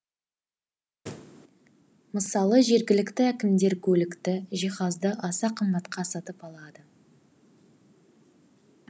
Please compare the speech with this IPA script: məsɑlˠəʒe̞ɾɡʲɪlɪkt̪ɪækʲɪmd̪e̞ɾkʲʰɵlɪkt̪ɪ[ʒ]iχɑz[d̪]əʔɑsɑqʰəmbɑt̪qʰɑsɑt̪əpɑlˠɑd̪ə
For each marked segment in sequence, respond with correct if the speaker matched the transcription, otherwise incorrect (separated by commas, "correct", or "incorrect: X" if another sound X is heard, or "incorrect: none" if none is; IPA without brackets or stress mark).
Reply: correct, correct